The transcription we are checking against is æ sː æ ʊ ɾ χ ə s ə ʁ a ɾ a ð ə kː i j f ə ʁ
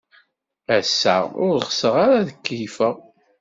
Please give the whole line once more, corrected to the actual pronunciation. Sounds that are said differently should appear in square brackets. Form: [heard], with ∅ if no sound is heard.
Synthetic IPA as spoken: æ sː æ ʊ ɾ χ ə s ə ʁ a ɾ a ð ə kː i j f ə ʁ